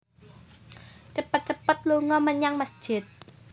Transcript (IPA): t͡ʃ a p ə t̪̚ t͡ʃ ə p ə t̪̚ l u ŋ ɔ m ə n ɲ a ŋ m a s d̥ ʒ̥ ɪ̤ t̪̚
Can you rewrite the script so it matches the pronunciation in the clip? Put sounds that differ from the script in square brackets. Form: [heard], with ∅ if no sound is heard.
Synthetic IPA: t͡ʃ [ə] p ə t̪̚ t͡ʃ ə p ə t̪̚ l u ŋ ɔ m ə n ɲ a ŋ m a s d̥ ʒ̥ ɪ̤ t̪̚